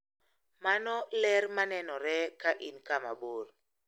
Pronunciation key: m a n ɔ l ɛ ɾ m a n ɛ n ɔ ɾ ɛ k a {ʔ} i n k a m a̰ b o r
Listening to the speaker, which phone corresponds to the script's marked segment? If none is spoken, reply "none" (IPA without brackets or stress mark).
ʔ